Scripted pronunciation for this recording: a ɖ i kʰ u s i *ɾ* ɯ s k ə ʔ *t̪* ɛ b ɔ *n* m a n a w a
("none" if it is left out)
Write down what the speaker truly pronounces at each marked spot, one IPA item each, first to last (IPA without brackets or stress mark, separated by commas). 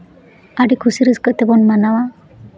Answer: ɾ, t̪, n